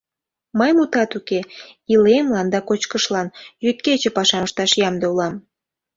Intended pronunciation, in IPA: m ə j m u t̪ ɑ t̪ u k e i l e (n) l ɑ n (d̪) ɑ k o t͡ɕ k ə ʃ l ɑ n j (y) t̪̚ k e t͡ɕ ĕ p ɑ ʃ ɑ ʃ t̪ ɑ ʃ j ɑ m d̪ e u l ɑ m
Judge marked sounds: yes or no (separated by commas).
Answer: no, yes, yes